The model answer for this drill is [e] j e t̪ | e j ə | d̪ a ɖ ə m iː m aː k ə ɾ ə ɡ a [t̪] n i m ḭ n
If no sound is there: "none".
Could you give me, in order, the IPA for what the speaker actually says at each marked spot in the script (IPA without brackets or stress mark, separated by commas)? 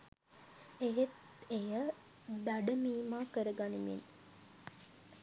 e, none